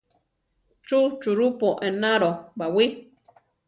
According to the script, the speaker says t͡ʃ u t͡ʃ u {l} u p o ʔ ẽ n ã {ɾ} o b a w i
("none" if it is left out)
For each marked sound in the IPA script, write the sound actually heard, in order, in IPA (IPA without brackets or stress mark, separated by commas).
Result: ɾ, ɾ